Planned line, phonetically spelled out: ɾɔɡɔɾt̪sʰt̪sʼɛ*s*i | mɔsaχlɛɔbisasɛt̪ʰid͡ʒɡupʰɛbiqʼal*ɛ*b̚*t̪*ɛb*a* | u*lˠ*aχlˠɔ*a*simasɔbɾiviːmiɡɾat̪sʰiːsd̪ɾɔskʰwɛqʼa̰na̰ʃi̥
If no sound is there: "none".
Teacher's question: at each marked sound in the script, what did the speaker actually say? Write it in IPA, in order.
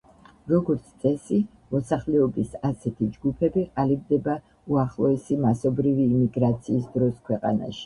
s, i, d̪, a, none, ɛ

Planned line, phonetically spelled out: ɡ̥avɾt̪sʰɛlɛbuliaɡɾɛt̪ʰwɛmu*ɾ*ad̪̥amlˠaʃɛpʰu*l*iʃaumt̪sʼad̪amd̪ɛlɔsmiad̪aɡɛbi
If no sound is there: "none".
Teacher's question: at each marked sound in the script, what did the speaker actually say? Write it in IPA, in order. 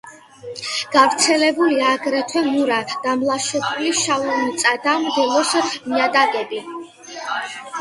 ɾ, l

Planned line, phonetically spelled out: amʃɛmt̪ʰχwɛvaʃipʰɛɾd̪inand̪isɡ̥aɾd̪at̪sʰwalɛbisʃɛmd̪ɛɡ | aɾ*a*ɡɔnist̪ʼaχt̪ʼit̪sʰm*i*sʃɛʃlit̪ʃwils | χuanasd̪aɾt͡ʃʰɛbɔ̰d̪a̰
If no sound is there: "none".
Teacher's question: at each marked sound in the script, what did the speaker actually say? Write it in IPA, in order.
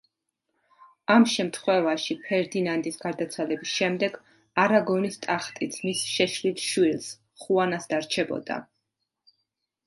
a, i

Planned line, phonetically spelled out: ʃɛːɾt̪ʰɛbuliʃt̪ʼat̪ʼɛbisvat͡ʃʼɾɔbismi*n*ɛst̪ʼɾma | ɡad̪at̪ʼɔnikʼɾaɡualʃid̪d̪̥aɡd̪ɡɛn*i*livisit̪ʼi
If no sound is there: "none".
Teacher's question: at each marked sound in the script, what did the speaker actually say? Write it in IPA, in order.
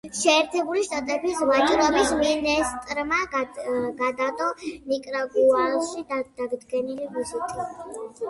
n, i

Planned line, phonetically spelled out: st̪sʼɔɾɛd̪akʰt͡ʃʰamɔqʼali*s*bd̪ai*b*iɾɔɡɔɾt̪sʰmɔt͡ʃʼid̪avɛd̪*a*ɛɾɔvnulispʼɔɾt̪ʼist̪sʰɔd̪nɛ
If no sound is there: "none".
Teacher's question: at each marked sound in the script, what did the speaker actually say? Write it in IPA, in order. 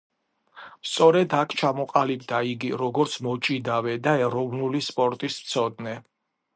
none, ɡ, a

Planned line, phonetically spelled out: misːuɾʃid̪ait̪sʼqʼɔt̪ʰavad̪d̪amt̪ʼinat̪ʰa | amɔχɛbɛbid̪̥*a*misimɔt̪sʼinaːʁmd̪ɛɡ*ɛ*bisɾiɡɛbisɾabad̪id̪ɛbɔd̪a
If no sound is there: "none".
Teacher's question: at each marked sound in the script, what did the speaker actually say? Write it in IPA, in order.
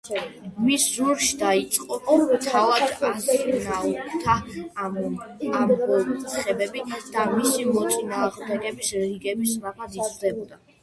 a, ɛ

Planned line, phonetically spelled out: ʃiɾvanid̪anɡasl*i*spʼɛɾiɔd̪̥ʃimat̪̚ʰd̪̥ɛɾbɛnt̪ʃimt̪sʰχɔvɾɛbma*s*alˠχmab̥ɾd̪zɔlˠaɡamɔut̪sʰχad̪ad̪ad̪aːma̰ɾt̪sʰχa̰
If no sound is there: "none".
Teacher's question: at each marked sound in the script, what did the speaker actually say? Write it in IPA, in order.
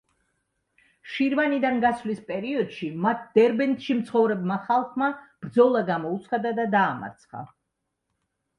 i, χ

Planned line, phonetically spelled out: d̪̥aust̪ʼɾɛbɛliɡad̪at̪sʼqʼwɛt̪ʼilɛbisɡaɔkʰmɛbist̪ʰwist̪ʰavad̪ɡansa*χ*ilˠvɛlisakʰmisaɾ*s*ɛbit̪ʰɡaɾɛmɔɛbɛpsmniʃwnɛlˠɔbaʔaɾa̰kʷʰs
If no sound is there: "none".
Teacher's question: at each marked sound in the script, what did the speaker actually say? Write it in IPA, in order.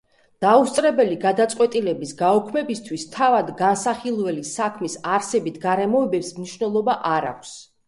χ, s

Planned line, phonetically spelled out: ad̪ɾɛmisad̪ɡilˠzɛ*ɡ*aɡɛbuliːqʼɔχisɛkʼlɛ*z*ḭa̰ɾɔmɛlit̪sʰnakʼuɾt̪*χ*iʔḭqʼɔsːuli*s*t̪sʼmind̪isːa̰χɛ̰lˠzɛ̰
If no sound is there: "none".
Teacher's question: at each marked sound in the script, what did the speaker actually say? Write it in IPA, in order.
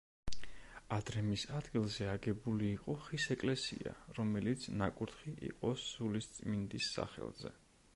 none, s, χ, s

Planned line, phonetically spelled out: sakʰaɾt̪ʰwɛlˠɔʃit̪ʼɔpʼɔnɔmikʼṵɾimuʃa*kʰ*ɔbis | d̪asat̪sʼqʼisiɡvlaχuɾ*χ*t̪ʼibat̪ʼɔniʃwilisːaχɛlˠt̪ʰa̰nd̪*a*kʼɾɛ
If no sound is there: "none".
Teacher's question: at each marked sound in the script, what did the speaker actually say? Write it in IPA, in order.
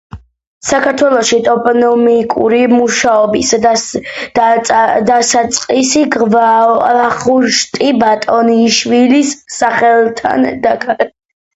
none, ʃ, a

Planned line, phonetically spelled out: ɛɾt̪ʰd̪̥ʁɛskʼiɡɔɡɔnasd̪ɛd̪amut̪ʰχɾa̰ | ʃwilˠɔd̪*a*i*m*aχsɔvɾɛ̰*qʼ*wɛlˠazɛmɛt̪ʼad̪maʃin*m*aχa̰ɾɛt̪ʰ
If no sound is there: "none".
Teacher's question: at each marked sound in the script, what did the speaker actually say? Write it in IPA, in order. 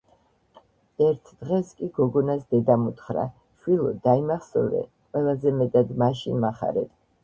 a, m, qʼ, m

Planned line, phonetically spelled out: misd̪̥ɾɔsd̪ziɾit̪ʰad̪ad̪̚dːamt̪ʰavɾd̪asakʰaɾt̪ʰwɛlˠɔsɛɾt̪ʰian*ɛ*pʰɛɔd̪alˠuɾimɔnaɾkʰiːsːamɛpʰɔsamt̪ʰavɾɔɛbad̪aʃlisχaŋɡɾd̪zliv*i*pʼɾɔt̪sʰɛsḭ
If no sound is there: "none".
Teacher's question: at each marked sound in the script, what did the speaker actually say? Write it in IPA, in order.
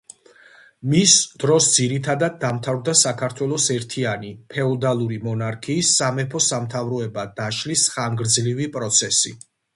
i, i

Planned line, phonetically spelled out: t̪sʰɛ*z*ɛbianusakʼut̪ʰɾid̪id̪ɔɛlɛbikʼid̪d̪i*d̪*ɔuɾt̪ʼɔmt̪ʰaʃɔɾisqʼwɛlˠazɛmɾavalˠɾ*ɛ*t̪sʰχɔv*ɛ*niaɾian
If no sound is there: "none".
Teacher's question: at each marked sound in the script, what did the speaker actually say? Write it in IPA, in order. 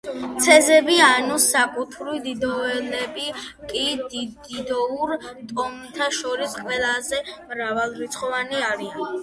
z, d̪, i, a

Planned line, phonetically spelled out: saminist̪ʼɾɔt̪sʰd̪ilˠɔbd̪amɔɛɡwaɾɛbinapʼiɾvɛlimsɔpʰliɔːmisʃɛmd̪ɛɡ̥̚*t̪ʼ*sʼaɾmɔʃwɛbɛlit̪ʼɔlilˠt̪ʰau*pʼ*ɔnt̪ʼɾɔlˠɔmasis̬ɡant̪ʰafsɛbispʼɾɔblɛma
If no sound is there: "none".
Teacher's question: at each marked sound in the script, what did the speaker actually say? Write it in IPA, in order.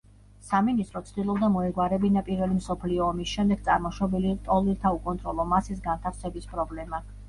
t̪, kʼ

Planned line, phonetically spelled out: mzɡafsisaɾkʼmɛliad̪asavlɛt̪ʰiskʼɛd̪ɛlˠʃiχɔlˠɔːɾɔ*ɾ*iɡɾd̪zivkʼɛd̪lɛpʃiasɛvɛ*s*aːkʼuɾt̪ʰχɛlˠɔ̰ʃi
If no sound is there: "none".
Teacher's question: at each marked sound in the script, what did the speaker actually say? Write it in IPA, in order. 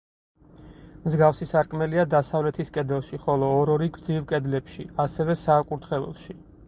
ɾ, s

